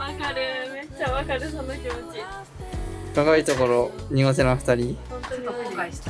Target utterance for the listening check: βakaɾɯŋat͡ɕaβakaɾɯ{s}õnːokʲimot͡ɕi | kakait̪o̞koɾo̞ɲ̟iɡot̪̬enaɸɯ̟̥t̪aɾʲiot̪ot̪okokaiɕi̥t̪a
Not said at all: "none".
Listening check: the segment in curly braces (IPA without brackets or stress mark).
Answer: s